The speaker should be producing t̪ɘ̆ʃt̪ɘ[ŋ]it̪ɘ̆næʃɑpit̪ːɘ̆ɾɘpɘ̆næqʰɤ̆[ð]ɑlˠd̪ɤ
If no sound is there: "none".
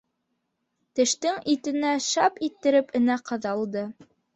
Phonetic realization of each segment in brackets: ŋ, ð

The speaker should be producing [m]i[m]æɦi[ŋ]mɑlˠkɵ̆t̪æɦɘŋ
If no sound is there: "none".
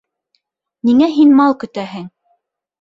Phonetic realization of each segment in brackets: n, ŋ, n

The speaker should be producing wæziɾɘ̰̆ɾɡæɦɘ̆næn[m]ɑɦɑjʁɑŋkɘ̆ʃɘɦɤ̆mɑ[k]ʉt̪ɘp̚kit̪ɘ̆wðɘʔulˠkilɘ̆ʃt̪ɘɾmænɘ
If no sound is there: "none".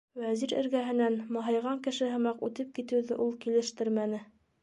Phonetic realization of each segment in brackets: m, q

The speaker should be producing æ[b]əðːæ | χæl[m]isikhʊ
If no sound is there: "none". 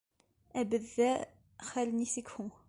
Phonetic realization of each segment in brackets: b, n

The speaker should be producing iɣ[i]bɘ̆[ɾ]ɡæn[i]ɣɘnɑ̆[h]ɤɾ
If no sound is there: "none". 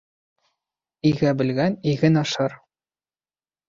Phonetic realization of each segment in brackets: æ, l, i, ʃ

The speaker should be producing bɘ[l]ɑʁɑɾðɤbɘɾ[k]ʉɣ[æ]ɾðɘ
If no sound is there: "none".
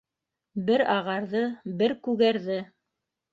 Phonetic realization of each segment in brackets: ɾ, k, æ

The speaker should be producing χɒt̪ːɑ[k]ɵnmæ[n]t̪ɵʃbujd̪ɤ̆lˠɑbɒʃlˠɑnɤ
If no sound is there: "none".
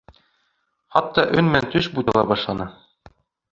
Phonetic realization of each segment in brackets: ʔ, n

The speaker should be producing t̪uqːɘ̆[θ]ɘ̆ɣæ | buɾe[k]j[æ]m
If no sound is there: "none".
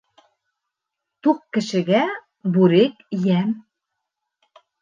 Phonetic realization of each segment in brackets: ʃ, k, æ

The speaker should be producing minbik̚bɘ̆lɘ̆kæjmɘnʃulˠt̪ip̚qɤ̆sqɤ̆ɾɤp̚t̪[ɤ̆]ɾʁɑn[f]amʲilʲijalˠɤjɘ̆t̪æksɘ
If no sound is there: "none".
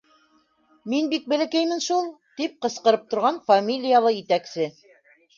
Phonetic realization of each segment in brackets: ŏ, f

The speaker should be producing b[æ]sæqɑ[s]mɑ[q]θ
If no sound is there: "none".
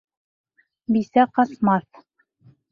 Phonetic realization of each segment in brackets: i, s, none

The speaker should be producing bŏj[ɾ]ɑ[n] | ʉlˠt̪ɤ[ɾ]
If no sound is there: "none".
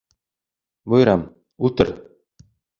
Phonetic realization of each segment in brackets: ɾ, m, ɾ

